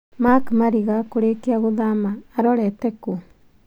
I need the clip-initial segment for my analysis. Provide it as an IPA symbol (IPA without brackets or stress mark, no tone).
m